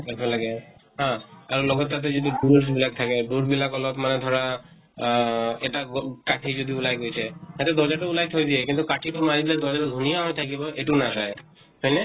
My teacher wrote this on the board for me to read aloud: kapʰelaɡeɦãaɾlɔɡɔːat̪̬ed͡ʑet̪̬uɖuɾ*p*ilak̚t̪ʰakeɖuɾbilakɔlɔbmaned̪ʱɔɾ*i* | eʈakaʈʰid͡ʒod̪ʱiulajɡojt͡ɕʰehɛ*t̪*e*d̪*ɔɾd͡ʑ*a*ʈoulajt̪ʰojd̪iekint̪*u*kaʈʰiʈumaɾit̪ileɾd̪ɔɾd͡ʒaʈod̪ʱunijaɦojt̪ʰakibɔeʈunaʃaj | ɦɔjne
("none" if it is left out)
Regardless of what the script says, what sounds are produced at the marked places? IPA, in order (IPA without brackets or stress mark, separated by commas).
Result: b, a, t̪, d̪, a, u